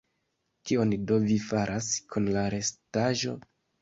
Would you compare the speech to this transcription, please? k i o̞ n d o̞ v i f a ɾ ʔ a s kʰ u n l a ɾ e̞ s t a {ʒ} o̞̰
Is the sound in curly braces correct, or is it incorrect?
correct